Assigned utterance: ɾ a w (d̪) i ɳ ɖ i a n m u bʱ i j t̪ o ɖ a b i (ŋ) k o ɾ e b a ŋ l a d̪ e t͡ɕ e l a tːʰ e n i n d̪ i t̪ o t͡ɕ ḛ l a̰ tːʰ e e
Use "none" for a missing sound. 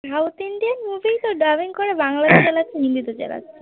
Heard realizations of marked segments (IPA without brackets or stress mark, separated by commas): t̪, ŋ